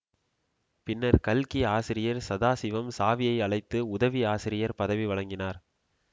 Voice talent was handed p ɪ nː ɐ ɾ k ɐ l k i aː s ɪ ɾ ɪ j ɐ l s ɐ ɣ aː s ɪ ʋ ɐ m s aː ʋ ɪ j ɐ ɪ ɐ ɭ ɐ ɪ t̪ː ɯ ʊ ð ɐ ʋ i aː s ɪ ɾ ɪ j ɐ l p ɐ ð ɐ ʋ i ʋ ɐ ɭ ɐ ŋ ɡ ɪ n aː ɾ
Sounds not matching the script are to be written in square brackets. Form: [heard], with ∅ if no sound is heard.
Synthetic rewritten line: p ɪ nː ɐ ɾ k ɐ l k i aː s ɪ ɾ ɪ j ɐ [ɾ] s ɐ [ð] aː s ɪ ʋ ɐ m s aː ʋ ɪ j ɐ ɪ ɐ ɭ ɐ ɪ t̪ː ɯ ʊ ð ɐ ʋ i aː s ɪ ɾ ɪ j ɐ [ɾ] p ɐ ð ɐ ʋ i ʋ ɐ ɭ ɐ ŋ ɡ ɪ n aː ɾ